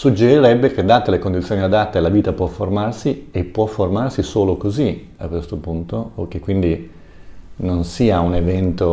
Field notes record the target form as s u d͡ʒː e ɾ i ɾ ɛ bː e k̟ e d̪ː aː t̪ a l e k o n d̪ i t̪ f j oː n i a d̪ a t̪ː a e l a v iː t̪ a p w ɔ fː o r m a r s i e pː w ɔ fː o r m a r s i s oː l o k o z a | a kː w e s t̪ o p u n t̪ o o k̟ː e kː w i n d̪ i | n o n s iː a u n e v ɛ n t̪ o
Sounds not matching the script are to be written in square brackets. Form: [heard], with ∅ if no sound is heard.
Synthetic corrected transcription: s u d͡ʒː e ɾ i ɾ ɛ bː e k̟ e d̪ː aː t̪ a l e k o n d̪ i t̪ [s] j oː n i a d̪ a t̪ː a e l a v iː t̪ a p w ɔ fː o r m a r s i e pː w ɔ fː o r m a r s i s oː l o k o z [i] | a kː w e s t̪ o p u n t̪ o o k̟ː e kː w i n d̪ i | n o n s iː a u n e v ɛ n t̪ o